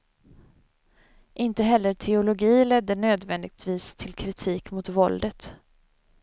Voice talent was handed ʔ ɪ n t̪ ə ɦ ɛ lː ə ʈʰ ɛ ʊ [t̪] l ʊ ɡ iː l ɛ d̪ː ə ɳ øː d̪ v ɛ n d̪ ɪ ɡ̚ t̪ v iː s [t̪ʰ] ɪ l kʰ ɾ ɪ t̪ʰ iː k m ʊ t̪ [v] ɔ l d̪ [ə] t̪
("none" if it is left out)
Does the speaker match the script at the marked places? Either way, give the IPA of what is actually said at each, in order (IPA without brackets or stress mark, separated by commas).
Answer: none, t̪ʰ, v, ə